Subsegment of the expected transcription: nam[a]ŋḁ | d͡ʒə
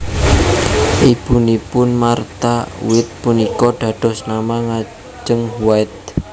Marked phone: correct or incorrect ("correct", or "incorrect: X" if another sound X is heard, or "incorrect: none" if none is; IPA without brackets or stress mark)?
correct